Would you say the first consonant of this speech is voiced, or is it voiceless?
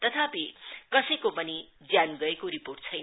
voiceless